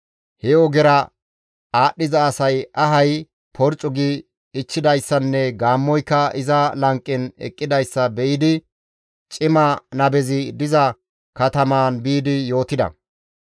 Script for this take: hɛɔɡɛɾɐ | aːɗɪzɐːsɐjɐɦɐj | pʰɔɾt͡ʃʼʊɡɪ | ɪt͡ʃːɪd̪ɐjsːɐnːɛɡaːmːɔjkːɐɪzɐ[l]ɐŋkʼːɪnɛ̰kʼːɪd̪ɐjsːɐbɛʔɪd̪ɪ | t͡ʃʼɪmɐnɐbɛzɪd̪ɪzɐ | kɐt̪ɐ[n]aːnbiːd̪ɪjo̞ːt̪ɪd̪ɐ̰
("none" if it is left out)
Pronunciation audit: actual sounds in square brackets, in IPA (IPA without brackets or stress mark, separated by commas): l, m